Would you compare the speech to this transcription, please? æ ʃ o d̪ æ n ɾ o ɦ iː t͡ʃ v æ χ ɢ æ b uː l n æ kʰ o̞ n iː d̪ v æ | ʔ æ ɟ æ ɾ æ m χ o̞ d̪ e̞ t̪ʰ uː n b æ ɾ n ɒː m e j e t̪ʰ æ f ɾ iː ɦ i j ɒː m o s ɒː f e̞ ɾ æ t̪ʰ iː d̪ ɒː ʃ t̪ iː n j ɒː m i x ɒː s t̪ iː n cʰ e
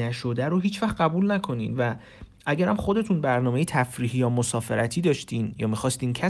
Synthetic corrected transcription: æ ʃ o d̪ æ ɾ o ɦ iː t͡ʃ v æ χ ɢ æ b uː l n æ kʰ o̞ n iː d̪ v æ | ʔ æ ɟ æ ɾ æ m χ o̞ d̪ e̞ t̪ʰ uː n b æ ɾ n ɒː m e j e t̪ʰ æ f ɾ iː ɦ i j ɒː m o s ɒː f e̞ ɾ æ t̪ʰ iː d̪ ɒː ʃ t̪ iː n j ɒː m i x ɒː s t̪ iː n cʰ æ